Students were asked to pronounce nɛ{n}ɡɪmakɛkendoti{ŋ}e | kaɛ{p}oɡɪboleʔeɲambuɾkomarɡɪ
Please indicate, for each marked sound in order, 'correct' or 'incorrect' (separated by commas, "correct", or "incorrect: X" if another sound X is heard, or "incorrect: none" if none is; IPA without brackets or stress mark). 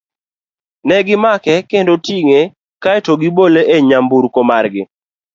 incorrect: none, correct, incorrect: t